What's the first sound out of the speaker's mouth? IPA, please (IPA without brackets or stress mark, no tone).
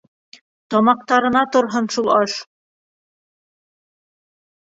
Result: t̪